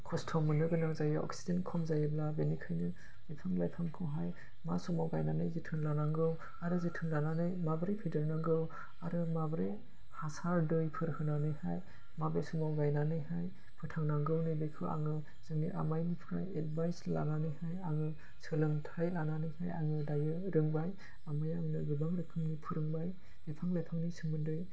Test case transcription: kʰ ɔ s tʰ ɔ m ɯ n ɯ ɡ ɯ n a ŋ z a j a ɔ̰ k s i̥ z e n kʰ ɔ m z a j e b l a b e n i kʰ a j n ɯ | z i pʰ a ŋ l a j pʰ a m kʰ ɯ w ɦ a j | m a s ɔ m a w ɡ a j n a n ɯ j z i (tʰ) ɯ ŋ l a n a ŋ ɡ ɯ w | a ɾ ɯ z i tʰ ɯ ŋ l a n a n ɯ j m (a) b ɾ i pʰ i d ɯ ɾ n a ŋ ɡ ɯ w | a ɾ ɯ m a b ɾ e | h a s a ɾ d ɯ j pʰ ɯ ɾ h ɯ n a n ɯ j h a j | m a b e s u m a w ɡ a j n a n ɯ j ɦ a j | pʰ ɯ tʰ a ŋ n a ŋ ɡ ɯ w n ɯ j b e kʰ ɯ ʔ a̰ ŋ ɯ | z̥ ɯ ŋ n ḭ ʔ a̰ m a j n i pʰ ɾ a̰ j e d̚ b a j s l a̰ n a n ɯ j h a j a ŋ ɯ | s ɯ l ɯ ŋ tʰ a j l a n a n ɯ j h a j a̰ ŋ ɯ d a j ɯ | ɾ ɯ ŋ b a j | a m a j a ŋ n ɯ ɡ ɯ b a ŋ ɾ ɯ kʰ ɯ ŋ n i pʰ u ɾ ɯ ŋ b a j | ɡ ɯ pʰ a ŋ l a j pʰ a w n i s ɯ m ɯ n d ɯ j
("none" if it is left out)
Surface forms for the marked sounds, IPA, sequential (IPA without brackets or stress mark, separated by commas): tʰ, a